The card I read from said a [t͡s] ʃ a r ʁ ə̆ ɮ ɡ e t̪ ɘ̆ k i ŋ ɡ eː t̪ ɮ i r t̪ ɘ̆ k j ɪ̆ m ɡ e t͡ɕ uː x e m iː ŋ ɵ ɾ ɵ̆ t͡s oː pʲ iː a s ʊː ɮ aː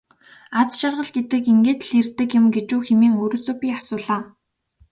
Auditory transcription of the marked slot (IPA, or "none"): t͡s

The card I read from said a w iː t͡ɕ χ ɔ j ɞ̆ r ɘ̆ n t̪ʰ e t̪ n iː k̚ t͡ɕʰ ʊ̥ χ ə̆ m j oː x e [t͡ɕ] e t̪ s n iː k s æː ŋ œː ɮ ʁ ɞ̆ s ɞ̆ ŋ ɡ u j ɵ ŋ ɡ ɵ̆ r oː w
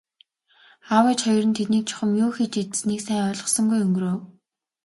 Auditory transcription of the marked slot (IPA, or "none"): t͡ɕ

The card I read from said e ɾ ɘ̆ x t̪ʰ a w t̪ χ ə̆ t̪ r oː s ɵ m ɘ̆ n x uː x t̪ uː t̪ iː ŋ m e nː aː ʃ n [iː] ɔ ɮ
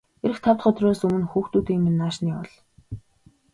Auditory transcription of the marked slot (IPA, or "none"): iː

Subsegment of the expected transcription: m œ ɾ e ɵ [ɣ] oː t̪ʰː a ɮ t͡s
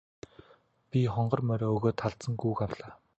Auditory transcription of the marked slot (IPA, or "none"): ɣ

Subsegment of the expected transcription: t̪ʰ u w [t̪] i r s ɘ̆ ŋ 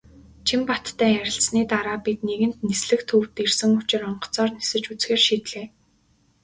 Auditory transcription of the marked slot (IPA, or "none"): t̪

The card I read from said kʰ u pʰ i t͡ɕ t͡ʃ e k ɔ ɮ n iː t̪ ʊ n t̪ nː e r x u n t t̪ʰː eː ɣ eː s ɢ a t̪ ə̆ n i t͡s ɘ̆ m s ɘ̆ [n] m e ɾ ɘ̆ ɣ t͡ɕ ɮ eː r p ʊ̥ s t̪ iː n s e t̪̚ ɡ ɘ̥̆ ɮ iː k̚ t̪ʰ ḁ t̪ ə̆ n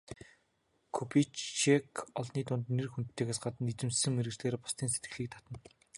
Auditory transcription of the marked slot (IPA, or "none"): ŋ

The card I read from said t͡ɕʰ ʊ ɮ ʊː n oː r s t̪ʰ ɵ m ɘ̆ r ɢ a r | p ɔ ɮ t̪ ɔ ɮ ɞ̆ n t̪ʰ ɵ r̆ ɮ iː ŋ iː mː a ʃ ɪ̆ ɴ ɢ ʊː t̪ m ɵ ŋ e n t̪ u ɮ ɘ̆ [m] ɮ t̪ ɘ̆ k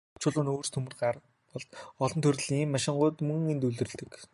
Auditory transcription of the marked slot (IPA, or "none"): none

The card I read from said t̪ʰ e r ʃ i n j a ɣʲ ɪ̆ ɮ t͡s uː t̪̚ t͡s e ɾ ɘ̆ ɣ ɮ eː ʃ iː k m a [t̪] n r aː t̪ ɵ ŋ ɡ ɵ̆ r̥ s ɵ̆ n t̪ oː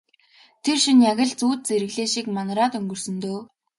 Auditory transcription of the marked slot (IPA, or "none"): none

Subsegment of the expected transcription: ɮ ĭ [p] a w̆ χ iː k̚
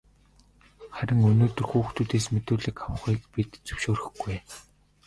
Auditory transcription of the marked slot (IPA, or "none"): k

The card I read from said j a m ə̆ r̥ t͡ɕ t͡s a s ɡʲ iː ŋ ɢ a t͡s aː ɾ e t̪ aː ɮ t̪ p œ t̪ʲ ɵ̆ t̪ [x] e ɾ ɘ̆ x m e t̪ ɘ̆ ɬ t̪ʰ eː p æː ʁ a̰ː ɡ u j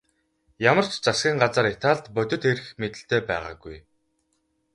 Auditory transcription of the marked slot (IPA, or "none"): x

